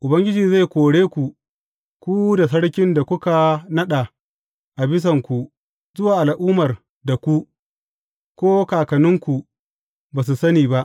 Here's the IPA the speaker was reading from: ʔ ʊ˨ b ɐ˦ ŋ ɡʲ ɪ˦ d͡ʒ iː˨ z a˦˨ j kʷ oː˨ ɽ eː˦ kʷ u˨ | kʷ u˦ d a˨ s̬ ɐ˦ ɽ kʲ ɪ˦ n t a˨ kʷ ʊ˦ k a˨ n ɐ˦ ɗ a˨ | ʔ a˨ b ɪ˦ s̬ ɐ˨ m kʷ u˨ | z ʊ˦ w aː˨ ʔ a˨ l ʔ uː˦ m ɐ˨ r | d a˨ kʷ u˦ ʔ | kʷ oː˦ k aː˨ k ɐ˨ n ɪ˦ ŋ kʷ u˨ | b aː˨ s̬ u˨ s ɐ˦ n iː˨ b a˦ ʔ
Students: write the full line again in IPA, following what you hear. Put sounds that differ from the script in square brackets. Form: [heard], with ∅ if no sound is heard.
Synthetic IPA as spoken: ʔ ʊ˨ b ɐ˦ ŋ ɡʲ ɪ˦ d͡ʒ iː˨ z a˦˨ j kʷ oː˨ ɽ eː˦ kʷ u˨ | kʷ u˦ d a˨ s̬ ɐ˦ ɽ kʲ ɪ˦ n [d] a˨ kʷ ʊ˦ k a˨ n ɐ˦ ɗ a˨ | ʔ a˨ b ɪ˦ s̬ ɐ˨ [ŋ] kʷ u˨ | z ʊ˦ w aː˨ ʔ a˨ l ʔ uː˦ m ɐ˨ r | d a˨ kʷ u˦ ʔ | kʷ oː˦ k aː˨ k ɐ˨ n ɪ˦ ŋ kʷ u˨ | b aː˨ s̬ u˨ s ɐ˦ n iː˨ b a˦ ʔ